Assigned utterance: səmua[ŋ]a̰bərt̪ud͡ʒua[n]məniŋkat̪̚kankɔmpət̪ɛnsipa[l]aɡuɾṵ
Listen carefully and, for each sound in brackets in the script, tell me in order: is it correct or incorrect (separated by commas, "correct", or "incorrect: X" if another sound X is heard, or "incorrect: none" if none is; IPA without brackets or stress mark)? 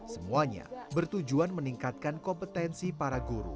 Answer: incorrect: ɲ, correct, incorrect: ɾ